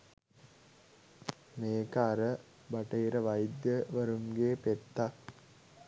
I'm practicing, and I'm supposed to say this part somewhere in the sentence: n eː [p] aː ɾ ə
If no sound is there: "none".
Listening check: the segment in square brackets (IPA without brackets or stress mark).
k